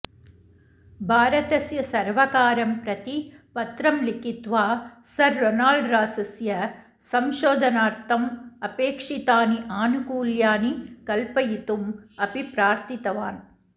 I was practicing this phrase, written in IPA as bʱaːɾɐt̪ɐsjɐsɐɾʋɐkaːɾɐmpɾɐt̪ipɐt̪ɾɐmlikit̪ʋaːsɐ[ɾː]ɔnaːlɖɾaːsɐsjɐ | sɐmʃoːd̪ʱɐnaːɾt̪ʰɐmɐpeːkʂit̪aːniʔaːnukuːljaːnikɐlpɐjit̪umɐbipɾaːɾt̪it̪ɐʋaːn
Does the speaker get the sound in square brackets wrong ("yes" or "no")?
no